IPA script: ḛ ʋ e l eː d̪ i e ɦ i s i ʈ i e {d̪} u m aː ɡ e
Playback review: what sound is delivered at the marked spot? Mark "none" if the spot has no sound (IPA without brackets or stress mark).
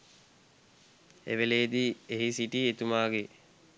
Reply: t̪